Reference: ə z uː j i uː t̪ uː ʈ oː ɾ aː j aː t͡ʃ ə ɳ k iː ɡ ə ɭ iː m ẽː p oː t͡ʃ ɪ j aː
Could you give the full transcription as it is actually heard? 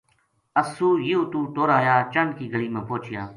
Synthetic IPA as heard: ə s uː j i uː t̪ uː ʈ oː ɾ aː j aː t͡ʃ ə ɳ k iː ɡ ə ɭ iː m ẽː p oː t͡ʃ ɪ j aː